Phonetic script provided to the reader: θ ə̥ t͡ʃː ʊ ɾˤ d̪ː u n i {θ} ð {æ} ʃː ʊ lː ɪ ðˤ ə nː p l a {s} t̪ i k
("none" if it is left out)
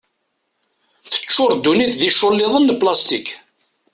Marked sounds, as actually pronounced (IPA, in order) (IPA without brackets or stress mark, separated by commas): θ, i, s